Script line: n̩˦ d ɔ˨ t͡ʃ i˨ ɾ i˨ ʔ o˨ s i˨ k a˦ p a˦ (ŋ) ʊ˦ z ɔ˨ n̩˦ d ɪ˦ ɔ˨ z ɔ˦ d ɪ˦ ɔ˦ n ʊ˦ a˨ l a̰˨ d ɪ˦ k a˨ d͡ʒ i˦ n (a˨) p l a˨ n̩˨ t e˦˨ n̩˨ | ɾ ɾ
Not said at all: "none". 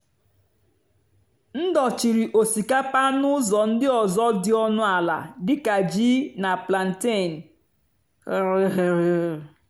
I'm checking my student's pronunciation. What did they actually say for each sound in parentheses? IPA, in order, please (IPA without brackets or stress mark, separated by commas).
n, a˨